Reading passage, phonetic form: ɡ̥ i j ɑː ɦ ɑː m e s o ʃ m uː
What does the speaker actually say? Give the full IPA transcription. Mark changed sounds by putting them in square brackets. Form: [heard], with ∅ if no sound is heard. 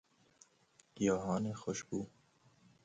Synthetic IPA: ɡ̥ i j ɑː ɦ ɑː [n] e [x] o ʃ [b] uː